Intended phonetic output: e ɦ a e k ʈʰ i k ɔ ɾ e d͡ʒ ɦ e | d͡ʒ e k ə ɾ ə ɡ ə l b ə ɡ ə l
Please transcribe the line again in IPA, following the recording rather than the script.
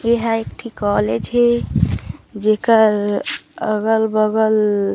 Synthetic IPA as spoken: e ɦ a e k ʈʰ i k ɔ l e d͡ʒ ɦ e | d͡ʒ e k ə ɾ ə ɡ ə l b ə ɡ ə l